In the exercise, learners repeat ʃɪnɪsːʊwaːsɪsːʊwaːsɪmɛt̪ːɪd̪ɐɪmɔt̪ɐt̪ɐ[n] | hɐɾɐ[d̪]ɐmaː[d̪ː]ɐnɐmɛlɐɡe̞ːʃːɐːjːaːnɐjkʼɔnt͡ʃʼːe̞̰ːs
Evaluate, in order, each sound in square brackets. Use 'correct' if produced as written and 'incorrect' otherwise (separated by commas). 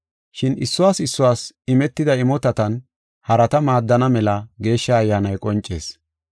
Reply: correct, incorrect, correct